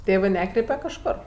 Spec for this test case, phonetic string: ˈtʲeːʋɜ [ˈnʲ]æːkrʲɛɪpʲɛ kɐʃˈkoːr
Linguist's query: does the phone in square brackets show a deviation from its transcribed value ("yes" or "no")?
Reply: no